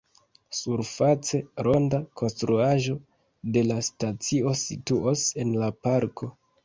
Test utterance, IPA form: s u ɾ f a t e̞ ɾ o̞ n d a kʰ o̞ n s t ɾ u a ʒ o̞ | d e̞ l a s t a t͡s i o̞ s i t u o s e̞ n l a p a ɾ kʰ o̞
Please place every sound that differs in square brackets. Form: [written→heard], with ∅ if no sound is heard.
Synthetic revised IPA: s u ɾ f a [t→t͡s] e̞ ɾ o̞ n d a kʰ o̞ n s t ɾ u a ʒ o̞ | d e̞ l a s t a t͡s i o̞ s i t u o s e̞ n l a p a ɾ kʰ o̞